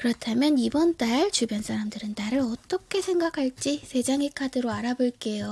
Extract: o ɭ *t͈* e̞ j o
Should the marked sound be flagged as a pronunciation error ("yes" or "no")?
yes